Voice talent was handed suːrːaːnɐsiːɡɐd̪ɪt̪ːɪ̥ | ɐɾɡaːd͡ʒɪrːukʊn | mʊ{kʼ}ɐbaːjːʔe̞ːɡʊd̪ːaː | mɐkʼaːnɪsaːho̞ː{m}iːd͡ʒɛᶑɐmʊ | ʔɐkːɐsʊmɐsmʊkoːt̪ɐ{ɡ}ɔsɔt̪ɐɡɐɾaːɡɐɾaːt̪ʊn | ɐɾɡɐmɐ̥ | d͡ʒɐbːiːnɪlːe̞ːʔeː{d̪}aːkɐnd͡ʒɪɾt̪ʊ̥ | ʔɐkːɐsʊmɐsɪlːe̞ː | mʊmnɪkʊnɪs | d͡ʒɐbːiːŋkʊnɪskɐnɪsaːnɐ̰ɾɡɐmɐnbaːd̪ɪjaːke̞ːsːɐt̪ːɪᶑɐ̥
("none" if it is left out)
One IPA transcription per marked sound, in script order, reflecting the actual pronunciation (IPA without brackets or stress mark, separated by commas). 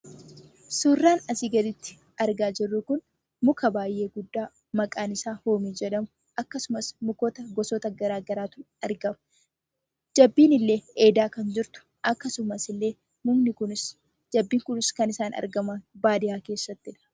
k, m, ɡ, d̪